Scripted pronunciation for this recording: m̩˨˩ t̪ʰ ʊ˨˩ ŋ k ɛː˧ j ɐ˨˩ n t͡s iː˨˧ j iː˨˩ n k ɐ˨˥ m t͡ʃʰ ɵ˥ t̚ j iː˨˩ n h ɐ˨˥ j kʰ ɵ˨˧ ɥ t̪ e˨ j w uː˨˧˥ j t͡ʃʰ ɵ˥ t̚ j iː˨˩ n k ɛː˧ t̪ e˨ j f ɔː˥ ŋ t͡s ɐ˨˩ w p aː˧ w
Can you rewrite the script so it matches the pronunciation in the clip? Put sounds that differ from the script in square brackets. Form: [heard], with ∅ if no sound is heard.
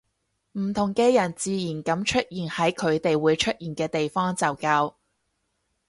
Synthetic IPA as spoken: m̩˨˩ t̪ʰ ʊ˨˩ ŋ k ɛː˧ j ɐ˨˩ n t͡s iː˨˧ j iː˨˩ n k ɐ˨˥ m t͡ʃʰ ɵ˥ t̚ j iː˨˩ n h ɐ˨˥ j kʰ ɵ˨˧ ɥ t̪ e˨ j w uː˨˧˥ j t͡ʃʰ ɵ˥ t̚ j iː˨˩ n k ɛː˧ t̪ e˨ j f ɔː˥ ŋ t͡s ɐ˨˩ w [k] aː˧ w